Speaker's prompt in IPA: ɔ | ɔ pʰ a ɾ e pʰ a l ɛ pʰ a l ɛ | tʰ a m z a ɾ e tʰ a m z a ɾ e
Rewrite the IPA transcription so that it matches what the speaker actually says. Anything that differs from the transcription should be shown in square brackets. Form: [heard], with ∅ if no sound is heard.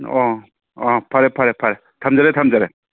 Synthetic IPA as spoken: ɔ | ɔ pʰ a ɾ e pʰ a [ɾ] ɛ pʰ a [ɾ] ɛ | tʰ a m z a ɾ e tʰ a m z a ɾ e